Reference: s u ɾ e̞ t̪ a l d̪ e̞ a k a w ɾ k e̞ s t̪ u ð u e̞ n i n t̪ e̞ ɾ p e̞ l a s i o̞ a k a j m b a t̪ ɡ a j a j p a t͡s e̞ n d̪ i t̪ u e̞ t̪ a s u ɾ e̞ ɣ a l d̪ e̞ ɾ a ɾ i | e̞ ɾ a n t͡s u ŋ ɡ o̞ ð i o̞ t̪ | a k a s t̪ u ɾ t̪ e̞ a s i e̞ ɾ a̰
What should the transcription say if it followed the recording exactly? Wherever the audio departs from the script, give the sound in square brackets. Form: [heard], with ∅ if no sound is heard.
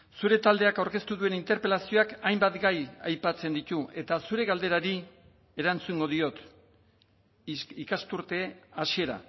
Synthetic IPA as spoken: s u ɾ e̞ t̪ a l d̪ e̞ a k a w ɾ k e̞ s t̪ u ð u e̞ n i n t̪ e̞ ɾ p e̞ l a s i o̞ a k a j m b a t̪ ɡ a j a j p a t͡s e̞ n d̪ i t̪ u e̞ t̪ a s u ɾ e̞ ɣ a l d̪ e̞ ɾ a ɾ i | e̞ ɾ a n t͡s u ŋ ɡ o̞ ð i o̞ t̪ | [i] k a s t̪ u ɾ t̪ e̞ a s i e̞ ɾ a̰